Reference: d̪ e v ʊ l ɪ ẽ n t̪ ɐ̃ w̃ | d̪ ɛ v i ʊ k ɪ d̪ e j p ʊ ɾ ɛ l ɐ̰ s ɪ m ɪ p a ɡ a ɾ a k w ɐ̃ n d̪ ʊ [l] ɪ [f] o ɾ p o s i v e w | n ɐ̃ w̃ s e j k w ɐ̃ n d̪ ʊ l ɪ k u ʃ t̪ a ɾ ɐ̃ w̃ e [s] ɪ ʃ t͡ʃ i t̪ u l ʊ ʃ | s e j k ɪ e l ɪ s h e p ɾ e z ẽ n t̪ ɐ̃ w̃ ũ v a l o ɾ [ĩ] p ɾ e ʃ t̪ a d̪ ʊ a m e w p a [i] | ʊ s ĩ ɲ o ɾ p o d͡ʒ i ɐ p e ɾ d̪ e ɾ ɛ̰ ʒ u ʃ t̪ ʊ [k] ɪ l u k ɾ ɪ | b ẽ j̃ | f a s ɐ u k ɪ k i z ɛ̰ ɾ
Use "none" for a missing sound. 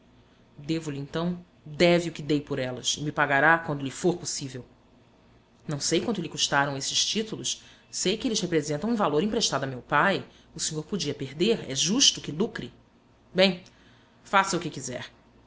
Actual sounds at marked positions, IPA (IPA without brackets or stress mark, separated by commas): l, f, s, ĩ, j, k